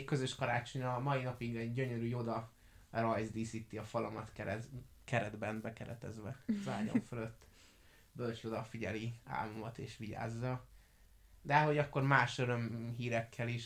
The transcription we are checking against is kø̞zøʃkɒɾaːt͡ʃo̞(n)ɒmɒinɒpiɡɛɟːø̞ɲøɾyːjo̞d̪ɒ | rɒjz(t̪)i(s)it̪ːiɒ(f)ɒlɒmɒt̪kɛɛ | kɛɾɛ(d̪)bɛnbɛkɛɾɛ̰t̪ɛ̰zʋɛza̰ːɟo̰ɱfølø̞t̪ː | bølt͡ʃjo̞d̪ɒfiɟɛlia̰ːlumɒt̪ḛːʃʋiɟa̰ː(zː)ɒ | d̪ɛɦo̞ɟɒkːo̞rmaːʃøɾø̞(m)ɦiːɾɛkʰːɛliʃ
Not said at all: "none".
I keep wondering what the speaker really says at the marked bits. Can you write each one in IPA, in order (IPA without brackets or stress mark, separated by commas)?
ɲ, d̪, s, f, d̪, zː, m